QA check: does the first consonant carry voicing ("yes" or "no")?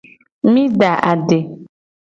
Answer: yes